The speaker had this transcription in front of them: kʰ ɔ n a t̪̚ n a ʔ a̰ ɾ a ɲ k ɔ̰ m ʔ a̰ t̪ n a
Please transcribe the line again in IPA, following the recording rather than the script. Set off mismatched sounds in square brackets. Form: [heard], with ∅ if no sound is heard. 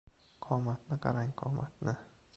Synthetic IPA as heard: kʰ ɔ [m] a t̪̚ n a [k] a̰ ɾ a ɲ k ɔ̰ m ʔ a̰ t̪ n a